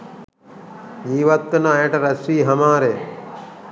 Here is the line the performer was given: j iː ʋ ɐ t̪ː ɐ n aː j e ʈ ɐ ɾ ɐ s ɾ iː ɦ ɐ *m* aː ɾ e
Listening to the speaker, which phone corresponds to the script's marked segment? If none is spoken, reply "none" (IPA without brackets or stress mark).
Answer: m